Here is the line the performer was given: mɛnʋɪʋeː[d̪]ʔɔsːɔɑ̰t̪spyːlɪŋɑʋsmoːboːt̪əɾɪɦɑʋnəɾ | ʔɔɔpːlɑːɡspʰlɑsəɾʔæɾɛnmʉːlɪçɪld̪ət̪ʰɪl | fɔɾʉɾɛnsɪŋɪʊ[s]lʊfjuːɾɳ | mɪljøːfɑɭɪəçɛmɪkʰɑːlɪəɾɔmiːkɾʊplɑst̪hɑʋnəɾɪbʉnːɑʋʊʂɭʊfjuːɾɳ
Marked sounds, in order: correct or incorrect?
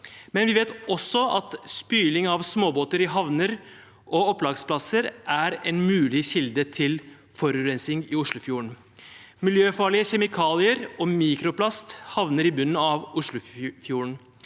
incorrect: t̪, incorrect: ʂ

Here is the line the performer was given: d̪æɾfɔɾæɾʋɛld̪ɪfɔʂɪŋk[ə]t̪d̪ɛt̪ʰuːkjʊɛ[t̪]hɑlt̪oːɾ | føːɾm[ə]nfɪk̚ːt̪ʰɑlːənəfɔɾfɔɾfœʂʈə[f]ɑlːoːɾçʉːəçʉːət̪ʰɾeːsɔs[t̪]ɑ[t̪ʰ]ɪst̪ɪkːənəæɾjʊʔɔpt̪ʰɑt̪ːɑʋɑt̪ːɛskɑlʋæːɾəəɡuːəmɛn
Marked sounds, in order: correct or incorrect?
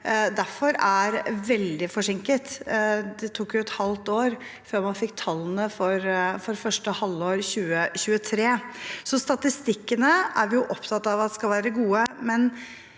correct, correct, incorrect: ɑ, incorrect: h, correct, incorrect: t̪

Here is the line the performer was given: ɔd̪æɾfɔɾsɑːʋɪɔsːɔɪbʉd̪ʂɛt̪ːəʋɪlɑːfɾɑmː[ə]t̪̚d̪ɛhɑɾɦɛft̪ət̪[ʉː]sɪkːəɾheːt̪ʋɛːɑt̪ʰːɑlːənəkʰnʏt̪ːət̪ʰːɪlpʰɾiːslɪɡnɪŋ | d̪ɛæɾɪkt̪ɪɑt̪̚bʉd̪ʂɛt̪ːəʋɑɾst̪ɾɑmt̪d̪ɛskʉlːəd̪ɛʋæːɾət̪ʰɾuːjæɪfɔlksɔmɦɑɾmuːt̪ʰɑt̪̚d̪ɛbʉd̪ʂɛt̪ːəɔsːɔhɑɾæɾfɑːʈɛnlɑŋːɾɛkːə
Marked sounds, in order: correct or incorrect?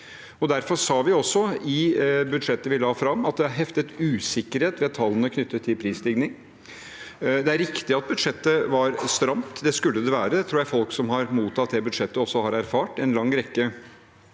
incorrect: ɑ, correct

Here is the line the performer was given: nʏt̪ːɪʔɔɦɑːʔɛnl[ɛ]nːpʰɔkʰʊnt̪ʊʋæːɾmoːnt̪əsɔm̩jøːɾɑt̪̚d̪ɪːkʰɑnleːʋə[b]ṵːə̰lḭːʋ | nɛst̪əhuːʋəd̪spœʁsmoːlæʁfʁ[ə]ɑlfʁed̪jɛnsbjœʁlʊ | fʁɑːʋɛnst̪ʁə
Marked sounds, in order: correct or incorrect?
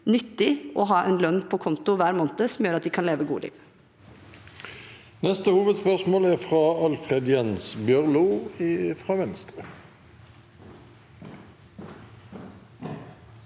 incorrect: œ, incorrect: ɡ, incorrect: ɑ

